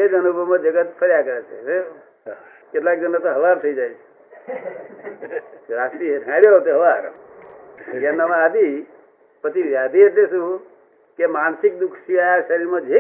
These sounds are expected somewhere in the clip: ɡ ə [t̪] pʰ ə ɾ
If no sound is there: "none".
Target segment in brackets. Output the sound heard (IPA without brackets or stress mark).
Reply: t̪